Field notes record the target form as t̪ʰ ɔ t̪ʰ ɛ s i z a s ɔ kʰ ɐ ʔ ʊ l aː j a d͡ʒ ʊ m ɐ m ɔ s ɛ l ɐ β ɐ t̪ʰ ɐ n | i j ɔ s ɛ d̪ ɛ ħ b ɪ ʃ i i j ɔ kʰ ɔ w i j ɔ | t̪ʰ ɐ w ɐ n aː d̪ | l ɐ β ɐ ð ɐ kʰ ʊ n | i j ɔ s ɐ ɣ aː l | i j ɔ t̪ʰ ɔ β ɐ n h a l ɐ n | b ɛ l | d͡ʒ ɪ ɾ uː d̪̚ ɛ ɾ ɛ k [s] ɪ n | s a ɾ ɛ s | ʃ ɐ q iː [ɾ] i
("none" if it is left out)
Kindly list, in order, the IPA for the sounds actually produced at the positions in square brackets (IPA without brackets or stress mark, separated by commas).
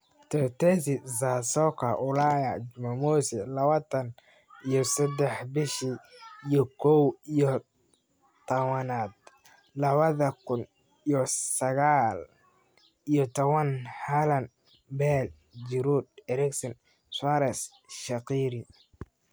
s, ɾ